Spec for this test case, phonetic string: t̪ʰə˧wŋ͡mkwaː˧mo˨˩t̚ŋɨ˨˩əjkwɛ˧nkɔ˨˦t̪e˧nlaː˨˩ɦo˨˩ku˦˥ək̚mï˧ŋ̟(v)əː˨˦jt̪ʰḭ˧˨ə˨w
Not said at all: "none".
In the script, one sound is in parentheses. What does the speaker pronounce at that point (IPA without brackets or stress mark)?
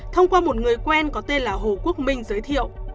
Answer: z